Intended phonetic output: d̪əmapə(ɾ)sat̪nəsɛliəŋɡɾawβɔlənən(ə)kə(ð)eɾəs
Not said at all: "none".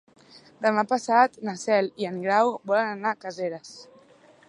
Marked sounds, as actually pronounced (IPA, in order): none, a, z

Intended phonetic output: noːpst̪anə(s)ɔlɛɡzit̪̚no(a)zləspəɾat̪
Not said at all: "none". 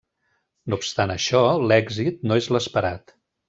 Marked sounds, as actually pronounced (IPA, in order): ʃ, e

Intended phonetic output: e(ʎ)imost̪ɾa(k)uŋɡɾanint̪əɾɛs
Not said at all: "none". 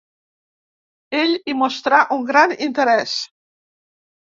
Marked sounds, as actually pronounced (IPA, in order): ʎ, ʔ

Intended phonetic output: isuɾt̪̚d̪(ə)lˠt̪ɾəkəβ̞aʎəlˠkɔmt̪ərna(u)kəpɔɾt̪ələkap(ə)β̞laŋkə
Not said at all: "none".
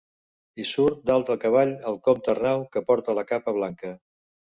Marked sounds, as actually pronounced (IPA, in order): a, w, ə

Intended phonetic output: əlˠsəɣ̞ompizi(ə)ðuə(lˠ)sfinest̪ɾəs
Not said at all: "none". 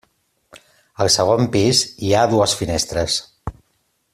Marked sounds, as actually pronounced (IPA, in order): a, none

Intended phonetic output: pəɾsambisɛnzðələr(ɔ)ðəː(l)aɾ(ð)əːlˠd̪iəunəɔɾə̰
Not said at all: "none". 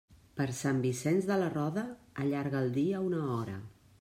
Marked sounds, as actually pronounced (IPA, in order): ɔ, ʎ, ɣ

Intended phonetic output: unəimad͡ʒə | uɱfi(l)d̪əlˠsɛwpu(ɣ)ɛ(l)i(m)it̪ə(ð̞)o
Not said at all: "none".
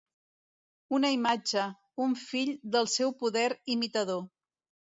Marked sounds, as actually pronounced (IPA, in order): ʎ, ð, ɾ, m, ð̞

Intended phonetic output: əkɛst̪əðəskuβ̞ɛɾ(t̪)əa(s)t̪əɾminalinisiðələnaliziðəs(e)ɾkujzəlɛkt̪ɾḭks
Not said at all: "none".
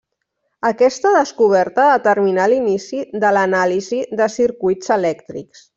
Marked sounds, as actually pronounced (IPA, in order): t̪, none, i

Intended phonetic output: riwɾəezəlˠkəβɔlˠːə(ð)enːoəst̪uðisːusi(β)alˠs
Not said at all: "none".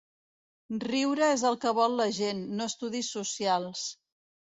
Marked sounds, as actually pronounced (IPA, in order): ʒ, none

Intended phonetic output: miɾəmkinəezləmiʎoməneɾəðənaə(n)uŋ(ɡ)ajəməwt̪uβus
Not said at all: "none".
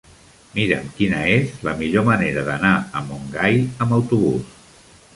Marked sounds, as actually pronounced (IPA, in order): m, ɡ

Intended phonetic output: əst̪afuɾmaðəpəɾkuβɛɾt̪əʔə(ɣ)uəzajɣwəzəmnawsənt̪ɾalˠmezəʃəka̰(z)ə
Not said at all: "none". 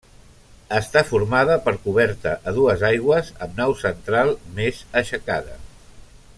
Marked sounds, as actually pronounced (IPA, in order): ð, ð

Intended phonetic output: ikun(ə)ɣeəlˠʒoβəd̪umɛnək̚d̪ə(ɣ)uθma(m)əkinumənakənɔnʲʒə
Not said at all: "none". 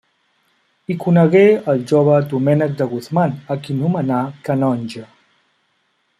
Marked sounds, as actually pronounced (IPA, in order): ə, ɣ, n

